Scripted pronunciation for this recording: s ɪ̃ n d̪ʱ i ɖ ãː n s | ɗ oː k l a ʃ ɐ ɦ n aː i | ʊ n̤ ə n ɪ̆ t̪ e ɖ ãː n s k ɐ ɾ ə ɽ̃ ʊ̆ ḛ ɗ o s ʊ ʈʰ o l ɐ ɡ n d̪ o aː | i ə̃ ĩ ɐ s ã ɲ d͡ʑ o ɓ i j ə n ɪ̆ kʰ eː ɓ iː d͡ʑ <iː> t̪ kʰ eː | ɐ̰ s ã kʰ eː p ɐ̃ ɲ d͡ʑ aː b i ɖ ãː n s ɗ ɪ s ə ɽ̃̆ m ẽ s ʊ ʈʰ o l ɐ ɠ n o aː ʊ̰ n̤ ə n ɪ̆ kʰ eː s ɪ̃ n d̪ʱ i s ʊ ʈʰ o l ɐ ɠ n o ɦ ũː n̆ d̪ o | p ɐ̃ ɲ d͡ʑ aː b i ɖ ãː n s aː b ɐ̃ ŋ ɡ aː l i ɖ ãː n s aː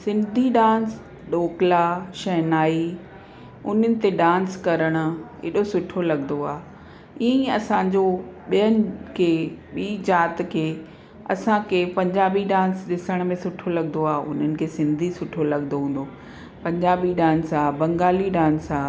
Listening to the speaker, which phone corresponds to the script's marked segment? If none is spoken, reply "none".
aː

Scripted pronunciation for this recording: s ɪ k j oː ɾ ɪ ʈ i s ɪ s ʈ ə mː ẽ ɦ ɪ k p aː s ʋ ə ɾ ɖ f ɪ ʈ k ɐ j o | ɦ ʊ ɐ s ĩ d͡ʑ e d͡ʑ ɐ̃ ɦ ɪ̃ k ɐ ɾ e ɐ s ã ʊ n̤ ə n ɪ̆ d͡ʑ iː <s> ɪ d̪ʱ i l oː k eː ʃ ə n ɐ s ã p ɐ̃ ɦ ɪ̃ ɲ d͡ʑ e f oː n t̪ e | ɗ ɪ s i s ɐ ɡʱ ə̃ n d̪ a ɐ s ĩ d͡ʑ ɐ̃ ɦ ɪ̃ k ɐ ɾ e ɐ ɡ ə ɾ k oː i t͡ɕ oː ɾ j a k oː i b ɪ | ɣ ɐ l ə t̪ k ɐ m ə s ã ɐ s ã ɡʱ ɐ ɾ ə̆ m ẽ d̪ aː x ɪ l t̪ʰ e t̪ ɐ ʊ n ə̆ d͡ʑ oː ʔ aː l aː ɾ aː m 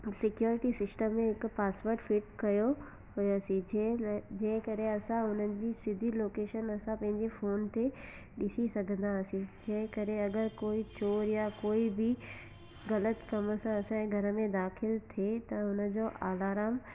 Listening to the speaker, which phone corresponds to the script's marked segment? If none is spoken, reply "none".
s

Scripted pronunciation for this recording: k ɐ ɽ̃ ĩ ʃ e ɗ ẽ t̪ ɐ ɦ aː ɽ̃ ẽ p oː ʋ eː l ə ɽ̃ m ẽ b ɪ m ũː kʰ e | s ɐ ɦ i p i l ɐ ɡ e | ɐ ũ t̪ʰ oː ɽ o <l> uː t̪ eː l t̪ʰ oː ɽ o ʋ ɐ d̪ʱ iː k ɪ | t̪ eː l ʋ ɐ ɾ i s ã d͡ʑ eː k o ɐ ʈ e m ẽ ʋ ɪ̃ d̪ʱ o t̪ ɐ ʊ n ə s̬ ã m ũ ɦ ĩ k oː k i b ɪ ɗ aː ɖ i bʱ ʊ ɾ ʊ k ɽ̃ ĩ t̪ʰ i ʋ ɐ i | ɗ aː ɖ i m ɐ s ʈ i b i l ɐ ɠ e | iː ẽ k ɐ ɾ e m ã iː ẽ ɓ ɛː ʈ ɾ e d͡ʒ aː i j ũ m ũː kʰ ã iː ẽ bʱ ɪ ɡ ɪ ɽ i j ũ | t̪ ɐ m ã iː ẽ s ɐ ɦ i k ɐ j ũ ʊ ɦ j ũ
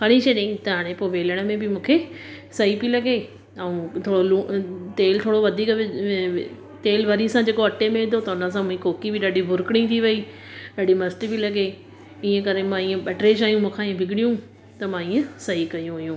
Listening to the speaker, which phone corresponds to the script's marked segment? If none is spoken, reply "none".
l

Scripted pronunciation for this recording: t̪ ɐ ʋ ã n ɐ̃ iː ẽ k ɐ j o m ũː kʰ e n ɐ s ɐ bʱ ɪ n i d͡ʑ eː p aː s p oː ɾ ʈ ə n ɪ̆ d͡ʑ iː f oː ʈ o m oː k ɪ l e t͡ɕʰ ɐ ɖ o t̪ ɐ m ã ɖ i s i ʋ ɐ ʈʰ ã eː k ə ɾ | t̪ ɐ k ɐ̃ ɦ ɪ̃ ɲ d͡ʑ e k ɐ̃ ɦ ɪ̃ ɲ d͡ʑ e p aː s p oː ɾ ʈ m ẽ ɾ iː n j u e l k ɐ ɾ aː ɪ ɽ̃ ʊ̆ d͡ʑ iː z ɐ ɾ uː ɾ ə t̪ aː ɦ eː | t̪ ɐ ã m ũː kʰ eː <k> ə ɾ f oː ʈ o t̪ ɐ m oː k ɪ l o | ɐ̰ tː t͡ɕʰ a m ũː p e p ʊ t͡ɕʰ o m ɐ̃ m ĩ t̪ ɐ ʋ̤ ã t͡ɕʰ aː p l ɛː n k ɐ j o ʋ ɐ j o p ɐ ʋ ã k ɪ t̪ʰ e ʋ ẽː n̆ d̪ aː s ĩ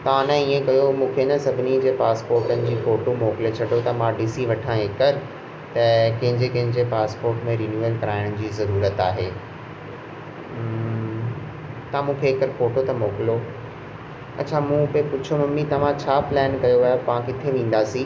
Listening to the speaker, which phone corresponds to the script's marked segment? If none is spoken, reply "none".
k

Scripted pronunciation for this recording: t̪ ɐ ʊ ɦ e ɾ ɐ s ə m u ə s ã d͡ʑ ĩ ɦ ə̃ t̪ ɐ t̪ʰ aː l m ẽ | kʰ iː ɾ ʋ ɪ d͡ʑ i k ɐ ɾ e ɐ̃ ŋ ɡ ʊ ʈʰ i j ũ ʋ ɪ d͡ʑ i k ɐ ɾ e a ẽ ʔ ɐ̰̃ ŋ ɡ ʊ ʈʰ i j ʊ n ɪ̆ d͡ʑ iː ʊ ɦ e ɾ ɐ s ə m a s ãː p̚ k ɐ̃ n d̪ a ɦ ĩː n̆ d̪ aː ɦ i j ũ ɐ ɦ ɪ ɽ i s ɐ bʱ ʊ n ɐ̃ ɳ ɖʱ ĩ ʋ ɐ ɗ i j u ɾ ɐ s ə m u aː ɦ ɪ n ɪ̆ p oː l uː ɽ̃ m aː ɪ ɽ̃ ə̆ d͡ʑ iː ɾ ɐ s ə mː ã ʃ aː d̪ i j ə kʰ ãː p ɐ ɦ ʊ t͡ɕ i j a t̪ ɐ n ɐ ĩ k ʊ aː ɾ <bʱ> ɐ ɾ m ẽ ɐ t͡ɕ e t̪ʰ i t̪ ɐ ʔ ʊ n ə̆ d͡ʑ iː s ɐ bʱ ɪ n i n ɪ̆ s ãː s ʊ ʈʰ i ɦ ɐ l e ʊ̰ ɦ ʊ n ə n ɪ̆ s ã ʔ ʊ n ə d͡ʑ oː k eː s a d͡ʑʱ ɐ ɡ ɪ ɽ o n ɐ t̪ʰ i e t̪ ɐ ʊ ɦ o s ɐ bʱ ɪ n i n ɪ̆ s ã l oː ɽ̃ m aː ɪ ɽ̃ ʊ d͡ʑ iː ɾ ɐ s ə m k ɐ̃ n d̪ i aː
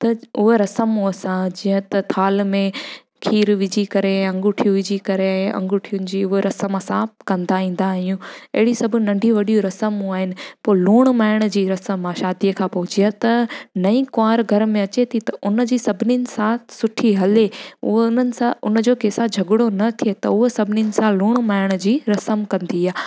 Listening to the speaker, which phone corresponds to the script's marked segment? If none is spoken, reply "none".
ɡʱ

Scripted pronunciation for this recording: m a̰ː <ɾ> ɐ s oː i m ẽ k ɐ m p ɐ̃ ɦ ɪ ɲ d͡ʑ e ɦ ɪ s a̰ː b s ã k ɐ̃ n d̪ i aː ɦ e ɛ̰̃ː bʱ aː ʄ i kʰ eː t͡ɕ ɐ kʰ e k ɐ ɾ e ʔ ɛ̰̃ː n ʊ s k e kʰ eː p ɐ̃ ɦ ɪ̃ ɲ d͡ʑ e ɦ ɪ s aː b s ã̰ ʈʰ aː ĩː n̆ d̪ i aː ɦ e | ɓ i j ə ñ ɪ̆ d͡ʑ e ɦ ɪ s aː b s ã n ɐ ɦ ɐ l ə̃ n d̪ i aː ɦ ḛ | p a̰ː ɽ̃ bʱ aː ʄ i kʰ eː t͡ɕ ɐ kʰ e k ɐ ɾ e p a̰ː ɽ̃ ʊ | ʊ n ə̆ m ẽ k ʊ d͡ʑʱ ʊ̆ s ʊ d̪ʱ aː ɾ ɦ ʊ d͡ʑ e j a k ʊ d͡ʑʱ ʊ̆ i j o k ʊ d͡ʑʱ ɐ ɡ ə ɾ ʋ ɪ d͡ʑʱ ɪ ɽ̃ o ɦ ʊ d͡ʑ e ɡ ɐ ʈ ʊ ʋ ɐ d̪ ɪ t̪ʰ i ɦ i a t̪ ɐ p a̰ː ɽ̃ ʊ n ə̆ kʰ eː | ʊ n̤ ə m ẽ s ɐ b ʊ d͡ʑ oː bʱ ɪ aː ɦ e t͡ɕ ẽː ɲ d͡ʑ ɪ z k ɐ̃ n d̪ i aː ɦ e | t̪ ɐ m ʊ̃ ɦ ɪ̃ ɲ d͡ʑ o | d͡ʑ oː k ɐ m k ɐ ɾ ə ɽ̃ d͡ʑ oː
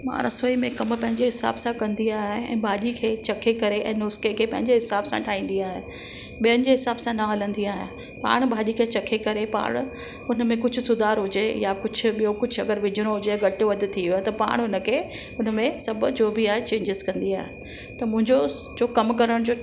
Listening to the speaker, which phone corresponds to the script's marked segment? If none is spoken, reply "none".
ɾ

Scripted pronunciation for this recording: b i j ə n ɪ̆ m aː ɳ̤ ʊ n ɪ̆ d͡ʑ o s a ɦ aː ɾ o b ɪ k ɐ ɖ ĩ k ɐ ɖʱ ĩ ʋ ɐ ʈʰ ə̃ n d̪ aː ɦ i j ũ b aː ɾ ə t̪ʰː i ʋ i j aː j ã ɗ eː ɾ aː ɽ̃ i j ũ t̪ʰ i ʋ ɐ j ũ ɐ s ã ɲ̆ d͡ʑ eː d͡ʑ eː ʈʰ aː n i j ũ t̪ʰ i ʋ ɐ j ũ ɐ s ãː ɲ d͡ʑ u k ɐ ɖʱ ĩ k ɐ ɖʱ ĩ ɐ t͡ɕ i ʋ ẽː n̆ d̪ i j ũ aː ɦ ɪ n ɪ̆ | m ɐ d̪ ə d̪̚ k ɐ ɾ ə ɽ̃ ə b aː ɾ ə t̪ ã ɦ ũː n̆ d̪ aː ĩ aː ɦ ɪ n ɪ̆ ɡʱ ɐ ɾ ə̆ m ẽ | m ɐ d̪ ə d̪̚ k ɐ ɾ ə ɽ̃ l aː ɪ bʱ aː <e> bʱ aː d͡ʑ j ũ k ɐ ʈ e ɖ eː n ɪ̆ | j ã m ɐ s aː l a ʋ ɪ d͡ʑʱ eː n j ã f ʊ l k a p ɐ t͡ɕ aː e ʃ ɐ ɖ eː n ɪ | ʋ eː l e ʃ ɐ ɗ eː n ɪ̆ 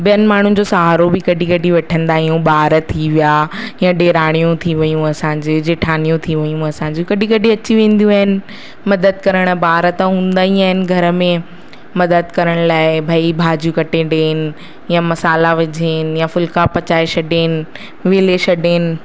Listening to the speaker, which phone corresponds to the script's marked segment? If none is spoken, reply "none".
i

